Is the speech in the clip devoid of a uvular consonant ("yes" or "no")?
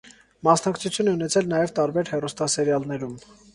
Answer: yes